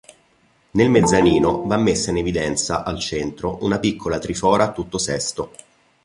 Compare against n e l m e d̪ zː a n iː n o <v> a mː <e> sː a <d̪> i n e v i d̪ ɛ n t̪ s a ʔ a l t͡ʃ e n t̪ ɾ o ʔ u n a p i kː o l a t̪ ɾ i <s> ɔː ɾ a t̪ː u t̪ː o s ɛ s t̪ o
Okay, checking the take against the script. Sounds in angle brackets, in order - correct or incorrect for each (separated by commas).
correct, correct, incorrect, incorrect